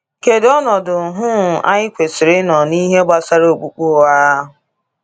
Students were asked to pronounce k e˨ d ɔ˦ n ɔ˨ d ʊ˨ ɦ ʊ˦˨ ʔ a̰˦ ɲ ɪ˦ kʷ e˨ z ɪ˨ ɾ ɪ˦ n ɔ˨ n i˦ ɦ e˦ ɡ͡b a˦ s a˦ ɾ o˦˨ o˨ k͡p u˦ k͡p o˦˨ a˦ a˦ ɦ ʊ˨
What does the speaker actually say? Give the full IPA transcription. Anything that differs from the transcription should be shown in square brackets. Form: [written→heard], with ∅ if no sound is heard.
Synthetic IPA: k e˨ d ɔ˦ n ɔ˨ d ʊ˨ ɦ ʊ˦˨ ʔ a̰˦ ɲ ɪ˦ kʷ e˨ [z→s] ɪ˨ ɾ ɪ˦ n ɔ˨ n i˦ ɦ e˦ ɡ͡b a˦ s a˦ ɾ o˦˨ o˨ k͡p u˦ k͡p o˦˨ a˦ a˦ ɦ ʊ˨